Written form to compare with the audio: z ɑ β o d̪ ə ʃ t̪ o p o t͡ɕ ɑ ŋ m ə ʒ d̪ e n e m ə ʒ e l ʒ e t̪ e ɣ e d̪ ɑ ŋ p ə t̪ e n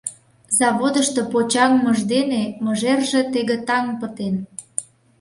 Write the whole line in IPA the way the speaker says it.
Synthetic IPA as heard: z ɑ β o d̪ ə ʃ t̪ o p o t͡ɕ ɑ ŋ m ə ʒ d̪ e n e m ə ʒ e r ʒ e t̪ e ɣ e t̪ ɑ ŋ p ə t̪ e n